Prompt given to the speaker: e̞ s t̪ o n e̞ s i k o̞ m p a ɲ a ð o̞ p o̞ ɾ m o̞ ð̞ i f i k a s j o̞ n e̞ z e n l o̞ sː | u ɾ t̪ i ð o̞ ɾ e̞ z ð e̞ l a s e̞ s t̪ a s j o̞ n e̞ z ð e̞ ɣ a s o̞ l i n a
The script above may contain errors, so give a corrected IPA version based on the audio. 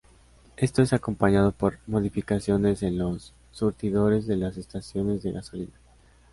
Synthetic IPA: e̞ s t̪ o e̞ s a k o̞ m p a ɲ a ð o̞ p o̞ ɾ m o̞ ð̞ i f i k a s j o̞ n e̞ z e n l o̞ sː | u ɾ t̪ i ð o̞ ɾ e̞ z ð e̞ l a s e̞ s t̪ a s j o̞ n e̞ z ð e̞ ɣ a s o̞ l i n a